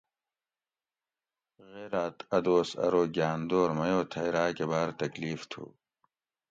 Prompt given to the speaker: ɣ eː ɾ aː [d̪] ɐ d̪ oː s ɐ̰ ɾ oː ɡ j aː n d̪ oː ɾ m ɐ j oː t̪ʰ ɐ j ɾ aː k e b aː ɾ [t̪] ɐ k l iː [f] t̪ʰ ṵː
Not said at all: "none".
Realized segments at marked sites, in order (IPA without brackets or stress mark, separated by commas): t̪, t̪, f